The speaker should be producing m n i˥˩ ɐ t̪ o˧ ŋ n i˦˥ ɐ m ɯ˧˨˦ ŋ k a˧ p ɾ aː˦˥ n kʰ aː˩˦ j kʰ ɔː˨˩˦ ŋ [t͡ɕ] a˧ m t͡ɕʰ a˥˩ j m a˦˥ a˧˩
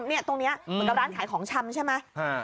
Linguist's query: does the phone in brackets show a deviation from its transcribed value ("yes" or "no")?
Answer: yes